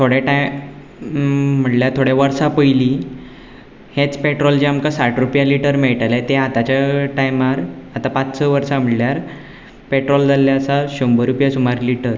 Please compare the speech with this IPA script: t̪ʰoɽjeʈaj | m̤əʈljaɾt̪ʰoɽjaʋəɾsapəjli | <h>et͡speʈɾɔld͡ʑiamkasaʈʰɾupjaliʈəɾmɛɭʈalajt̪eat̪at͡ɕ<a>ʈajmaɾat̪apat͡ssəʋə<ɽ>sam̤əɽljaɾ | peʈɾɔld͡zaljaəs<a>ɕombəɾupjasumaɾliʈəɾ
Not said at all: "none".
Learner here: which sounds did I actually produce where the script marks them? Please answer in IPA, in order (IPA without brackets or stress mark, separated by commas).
h, a, ɾ, a